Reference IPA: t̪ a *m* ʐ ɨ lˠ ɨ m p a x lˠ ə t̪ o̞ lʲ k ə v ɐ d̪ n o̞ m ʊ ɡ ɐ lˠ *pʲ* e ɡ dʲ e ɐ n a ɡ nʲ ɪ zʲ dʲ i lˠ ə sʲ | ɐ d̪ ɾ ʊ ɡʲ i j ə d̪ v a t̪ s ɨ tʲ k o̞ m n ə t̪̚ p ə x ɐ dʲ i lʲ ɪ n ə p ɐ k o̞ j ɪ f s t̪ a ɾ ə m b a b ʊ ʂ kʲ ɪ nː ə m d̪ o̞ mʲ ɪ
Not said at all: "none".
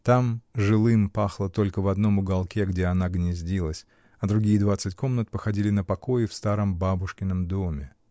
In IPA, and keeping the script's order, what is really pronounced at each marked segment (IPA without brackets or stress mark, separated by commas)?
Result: m, kʲ